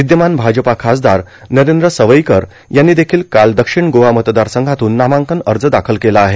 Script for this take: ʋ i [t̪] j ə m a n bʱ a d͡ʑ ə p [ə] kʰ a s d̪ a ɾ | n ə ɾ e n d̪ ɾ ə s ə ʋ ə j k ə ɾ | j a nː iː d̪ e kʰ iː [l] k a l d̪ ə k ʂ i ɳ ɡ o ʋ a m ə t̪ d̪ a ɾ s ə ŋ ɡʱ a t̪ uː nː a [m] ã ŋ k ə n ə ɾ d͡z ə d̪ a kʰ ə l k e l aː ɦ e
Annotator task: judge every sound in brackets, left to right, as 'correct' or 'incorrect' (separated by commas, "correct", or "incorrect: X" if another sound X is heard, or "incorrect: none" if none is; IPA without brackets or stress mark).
incorrect: d̪, incorrect: a, correct, correct